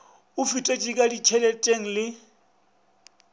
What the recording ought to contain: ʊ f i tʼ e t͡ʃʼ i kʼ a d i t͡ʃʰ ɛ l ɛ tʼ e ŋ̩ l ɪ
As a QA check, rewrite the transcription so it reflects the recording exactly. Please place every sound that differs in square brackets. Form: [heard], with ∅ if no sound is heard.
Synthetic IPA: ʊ f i tʼ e t͡ʃʼ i kʼ a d i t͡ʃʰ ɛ l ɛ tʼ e ŋ̩ l ɪ